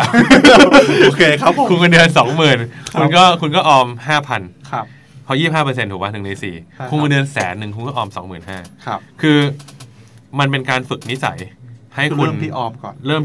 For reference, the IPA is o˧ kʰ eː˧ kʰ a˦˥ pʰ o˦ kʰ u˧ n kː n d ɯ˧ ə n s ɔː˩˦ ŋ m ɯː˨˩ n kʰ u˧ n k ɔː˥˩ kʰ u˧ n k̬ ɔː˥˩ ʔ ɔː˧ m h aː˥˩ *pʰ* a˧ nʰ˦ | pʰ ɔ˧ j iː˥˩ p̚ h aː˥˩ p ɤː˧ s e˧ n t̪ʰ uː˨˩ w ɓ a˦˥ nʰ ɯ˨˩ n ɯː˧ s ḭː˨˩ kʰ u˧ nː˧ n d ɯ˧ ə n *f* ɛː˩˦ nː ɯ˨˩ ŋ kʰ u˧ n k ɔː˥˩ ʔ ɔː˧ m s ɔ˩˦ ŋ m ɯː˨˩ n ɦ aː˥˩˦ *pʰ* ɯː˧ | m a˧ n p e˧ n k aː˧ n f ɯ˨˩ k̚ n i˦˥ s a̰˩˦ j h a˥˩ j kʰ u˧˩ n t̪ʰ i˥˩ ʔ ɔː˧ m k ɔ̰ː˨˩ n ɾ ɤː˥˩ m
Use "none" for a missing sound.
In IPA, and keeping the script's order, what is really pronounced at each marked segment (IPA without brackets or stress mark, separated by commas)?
pʰ, s, kʰ